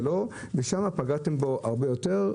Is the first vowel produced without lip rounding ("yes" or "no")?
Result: no